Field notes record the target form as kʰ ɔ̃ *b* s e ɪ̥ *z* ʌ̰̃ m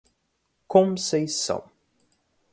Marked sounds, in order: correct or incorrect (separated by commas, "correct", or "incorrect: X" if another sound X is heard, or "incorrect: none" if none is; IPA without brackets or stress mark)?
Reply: incorrect: m, incorrect: s